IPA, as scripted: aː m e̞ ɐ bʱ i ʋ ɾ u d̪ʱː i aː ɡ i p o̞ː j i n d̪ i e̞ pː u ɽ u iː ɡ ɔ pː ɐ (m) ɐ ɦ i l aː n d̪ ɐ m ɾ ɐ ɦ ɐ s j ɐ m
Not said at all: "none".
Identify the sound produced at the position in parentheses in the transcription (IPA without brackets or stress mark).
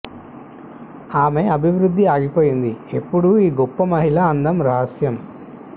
m